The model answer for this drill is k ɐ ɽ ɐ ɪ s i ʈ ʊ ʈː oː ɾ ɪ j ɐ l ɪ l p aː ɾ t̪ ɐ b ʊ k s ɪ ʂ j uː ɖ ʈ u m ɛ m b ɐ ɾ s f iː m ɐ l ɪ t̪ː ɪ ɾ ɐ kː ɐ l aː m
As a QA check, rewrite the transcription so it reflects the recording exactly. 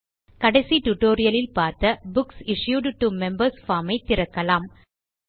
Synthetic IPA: k ɐ ɽ ɐ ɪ s i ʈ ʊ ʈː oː ɾ ɪ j ɐ l ɪ l p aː ɾ t̪ ɐ b ʊ k s ɪ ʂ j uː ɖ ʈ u m ɛ m b ɐ ɾ s f aː m ɐ ɪ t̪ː ɪ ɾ ɐ kː ɐ l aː m